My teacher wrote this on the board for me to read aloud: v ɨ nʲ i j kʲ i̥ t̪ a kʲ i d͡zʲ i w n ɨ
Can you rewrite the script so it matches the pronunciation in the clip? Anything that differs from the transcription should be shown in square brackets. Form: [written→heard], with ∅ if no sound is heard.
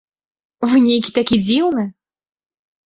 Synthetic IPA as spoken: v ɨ nʲ [i→e] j kʲ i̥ t̪ a kʲ i d͡zʲ i w n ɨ

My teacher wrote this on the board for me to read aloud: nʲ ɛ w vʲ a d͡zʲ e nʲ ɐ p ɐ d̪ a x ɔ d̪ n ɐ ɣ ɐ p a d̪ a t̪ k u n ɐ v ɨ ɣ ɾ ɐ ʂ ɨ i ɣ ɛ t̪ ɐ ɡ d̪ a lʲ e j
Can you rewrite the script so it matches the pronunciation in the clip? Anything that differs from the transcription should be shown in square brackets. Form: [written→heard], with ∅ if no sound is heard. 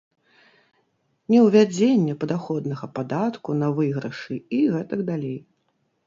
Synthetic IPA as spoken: nʲ ɛ w vʲ a d͡zʲ e [nʲ→nʲː] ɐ p ɐ d̪ a x ɔ d̪ n ɐ ɣ ɐ p a d̪ a t̪ k u n ɐ v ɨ ɣ ɾ ɐ ʂ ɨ i ɣ ɛ t̪ ɐ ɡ d̪ a lʲ e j

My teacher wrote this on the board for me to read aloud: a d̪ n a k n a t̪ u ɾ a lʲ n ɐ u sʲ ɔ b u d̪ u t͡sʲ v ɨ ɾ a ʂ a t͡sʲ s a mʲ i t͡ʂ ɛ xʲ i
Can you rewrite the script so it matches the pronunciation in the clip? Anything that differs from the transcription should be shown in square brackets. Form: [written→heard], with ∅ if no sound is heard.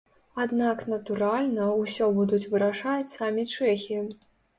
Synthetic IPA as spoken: a d̪ n a k n [a→ɐ] t̪ u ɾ a lʲ n ɐ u sʲ ɔ b u d̪ u t͡sʲ v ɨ ɾ a ʂ a t͡sʲ s a mʲ i t͡ʂ ɛ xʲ i

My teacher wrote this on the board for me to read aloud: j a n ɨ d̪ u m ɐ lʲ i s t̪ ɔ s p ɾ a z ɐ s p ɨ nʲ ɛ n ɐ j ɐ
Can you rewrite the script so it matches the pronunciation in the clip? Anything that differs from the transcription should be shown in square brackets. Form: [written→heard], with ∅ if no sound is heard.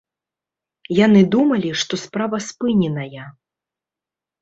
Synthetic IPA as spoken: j a n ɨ d̪ u m ɐ lʲ i [s→ʂ] t̪ ɔ s p ɾ a [z→v] ɐ s p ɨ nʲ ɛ n ɐ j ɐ

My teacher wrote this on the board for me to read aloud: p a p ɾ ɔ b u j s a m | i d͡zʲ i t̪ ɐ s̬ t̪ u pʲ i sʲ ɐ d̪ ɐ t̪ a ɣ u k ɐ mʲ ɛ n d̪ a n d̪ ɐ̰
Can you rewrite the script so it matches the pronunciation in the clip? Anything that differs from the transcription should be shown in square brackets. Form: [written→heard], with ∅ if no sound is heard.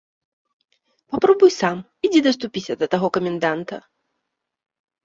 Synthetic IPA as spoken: p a p ɾ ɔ b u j s a m | i d͡zʲ i [t̪→d̪] ɐ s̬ t̪ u pʲ i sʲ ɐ d̪ ɐ t̪ a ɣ [u→ɔ] k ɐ mʲ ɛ n d̪ a n [d̪→t̪] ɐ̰

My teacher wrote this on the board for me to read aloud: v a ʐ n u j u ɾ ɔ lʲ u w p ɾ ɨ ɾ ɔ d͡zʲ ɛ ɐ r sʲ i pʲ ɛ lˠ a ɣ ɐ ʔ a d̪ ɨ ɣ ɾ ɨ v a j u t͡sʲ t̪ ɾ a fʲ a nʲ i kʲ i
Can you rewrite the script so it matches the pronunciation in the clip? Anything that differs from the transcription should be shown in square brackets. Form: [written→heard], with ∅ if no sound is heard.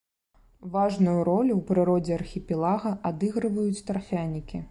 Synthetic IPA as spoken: v a ʐ n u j u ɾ ɔ lʲ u w p ɾ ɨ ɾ ɔ d͡zʲ ɛ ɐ r [sʲ→xʲ] i pʲ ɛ lˠ a ɣ ɐ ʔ a d̪ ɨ ɣ ɾ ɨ v [a→ɐ] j u t͡sʲ t̪ ɾ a fʲ a nʲ i kʲ i

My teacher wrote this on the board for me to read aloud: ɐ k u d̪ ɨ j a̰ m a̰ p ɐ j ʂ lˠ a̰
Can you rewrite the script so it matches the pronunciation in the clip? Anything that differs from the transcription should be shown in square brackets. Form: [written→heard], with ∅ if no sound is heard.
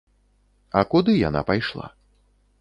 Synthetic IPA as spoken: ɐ k u d̪ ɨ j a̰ [m→n] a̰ p [ɐ→a] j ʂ lˠ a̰

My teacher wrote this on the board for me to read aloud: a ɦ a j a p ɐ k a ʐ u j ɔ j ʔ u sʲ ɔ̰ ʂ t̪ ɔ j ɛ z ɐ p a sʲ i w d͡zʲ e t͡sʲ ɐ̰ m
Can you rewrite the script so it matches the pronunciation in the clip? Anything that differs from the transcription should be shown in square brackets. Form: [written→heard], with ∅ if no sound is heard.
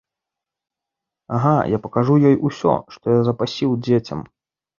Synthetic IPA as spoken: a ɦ a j a p ɐ k a ʐ u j ɔ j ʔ u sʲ ɔ̰ ʂ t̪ ɔ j [ɛ→a] z ɐ p a sʲ i w d͡zʲ e t͡sʲ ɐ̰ m

